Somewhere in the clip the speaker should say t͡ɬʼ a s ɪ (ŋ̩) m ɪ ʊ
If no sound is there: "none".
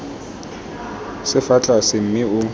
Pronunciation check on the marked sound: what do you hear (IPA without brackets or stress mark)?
m̩